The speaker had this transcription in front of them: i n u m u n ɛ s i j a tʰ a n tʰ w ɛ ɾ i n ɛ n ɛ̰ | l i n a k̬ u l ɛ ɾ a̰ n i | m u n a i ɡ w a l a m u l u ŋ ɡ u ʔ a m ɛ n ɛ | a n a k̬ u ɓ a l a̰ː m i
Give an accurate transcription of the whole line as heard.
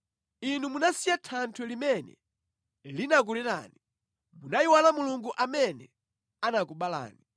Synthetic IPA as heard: i n u m u n a s i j a tʰ a n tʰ w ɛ l i m ɛ n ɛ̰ | l i n a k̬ u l ɛ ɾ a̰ n i | m u n a i w a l a m u l u ŋ ɡ u ʔ a m ɛ n ɛ | a n a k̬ u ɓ a l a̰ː n i